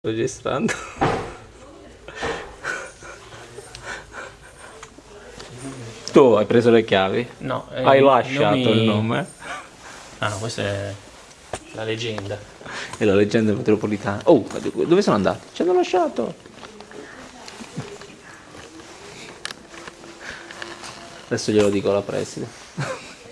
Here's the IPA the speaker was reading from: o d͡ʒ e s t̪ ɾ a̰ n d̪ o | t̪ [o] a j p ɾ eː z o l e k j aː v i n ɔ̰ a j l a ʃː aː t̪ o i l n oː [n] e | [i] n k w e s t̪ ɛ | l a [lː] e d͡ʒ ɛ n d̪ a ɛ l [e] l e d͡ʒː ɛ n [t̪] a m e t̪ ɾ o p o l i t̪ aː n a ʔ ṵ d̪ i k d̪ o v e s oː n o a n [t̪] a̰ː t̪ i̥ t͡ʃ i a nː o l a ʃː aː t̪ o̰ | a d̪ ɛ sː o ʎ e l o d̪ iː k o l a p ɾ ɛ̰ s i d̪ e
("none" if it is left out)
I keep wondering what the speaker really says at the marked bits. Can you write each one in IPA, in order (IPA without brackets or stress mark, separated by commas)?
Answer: u, m, a, l, a, d̪, d̪